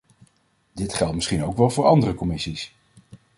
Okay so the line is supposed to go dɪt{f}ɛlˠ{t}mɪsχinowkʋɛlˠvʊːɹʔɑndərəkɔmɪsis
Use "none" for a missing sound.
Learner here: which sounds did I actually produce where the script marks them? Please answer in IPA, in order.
χ, t

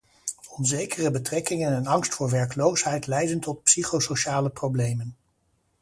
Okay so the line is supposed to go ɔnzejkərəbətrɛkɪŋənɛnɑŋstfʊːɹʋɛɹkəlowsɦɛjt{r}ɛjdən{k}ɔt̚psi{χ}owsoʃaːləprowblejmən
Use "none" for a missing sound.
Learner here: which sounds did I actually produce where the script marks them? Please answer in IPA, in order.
l, t, χ

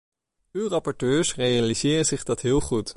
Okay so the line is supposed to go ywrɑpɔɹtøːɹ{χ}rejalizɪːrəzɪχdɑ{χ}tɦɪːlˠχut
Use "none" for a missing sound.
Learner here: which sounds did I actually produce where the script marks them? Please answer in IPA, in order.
s, none

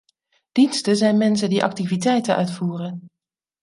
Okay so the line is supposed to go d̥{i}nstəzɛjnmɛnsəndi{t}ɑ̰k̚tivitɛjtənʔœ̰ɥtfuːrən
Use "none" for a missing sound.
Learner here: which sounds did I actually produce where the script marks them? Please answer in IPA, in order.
i, ʔ

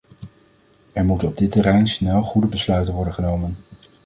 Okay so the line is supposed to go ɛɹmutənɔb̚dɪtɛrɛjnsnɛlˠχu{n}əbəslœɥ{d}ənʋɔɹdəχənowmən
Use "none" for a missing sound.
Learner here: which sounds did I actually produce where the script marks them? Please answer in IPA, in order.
d, t

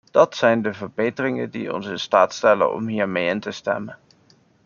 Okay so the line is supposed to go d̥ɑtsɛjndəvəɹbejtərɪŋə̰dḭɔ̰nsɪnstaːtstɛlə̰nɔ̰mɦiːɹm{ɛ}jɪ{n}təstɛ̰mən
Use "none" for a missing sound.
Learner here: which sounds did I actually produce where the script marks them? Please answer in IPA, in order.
e, n

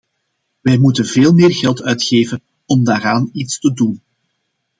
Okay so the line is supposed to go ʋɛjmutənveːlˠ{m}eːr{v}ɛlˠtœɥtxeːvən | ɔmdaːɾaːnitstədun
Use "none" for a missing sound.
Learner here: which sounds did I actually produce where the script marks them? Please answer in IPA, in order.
m, ɣ

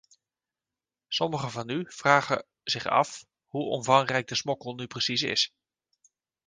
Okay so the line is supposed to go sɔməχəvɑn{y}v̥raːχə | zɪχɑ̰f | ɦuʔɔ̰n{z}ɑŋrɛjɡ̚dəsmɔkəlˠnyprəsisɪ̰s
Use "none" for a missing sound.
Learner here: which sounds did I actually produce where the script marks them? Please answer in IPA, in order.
y, v

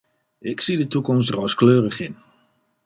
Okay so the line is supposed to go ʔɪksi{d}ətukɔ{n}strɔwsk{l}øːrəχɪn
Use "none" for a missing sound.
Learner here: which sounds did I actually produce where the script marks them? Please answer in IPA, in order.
d, m, l

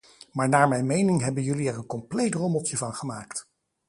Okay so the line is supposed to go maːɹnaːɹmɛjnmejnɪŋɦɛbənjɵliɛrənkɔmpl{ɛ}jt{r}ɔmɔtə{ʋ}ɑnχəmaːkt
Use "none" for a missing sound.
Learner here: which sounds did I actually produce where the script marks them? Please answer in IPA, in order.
e, r, v

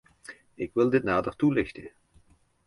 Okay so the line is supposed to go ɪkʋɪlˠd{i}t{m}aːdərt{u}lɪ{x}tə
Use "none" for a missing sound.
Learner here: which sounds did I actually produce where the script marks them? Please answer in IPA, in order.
ɪ, n, u, x

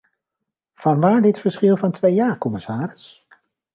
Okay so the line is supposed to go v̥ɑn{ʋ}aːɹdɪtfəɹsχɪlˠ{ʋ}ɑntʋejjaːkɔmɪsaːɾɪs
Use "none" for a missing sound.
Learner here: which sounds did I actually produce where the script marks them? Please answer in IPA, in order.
ʋ, v

